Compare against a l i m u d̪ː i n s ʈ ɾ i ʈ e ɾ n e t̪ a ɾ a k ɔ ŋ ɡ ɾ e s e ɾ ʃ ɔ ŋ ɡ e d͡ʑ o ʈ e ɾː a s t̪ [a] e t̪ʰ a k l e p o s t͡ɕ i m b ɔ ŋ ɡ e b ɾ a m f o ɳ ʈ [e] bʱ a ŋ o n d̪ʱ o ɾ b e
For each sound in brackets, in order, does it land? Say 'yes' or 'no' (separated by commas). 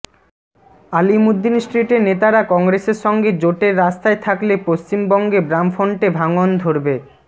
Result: yes, yes